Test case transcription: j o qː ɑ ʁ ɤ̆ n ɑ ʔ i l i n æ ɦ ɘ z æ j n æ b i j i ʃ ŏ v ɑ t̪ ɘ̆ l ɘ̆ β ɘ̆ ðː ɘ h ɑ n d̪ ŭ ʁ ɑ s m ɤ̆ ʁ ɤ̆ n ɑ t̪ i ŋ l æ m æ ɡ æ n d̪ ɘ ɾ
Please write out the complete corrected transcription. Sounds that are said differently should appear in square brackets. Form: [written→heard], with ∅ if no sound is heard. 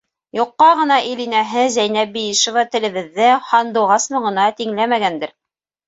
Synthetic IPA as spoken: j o qː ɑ ʁ ɤ̆ n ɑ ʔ i l i n æ ɦ ɘ z æ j n æ b i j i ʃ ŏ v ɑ t̪ ɘ̆ l ɘ̆ β ɘ̆ ðː ɘ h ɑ n d̪ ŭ ʁ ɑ s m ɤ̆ ʁ ɤ̆ n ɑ t̪ i ŋ l æ m æ ɡ æ n d̪ ɘ ɾ